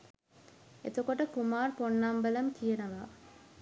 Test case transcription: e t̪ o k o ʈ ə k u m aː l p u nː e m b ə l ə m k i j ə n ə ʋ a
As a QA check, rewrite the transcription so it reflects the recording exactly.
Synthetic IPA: e t̪ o k o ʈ ə k u m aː r p o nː a m b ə l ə m k i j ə n ə ʋ a